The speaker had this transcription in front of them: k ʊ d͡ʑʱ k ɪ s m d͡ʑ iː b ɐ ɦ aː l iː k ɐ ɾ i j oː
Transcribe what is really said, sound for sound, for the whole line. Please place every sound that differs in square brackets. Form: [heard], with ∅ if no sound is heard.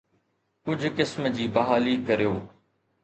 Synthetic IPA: k ʊ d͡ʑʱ k ɪ s m d͡ʑ iː b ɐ ɦ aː l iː k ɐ ɾ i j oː